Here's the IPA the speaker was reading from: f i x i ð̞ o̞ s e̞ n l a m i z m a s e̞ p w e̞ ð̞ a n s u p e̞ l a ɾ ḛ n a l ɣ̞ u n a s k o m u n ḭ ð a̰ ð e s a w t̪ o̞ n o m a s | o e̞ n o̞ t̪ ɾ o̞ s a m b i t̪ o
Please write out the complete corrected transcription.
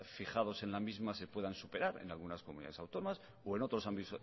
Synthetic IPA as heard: f i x a ð̞ o̞ s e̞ n l a m i z m a s e̞ p w e̞ ð̞ a n s u p e̞ ɾ a ɾ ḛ n a l ɣ̞ u n a s k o m u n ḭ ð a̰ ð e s a w t̪ o̞ n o m a s | o e̞ n o̞ t̪ ɾ o̞ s a m b i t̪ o